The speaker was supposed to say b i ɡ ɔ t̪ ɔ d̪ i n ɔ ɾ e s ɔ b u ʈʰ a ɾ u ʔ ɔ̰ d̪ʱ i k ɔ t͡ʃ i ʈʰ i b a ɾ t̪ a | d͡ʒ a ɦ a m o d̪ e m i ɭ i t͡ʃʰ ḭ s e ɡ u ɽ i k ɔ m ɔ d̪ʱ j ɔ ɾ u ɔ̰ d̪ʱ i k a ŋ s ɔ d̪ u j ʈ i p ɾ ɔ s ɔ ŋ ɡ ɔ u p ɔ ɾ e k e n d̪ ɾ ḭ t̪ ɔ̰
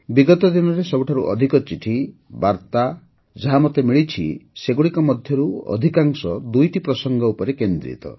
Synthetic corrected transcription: b i ɡ ɔ t̪ ɔ d̪ i n ɔ ɾ e s ɔ b u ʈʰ a ɾ u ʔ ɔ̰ d̪ʱ i k ɔ t͡ʃ i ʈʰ i b a ɾ t̪ a | d͡ʒ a ɦ a m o t̪ e m i ɭ i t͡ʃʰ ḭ s e ɡ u ɽ i k ɔ m ɔ d̪ʱ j ɔ ɾ u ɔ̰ d̪ʱ i k a ŋ s ɔ d̪ u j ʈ i p ɾ ɔ s ɔ ŋ ɡ ɔ u p ɔ ɾ e k e n d̪ ɾ ḭ t̪ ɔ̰